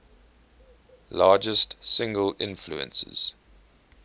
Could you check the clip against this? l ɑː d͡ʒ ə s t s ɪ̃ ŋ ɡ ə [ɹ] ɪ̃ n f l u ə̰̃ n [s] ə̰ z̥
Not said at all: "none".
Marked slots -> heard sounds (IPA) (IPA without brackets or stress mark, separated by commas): l, s